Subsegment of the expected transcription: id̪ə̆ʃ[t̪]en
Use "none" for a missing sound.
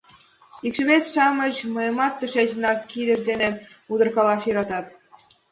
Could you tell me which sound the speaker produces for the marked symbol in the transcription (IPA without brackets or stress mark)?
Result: d̪